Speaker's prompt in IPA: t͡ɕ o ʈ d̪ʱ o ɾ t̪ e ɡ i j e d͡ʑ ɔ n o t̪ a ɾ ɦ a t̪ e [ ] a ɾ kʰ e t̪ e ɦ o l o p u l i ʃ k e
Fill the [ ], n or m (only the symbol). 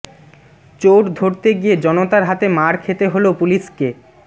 m